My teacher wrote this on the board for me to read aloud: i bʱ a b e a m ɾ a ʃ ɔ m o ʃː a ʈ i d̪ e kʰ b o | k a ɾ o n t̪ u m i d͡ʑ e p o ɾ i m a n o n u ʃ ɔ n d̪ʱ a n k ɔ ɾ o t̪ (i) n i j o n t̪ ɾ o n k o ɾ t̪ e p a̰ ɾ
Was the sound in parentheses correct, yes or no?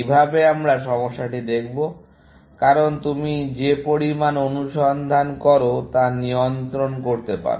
no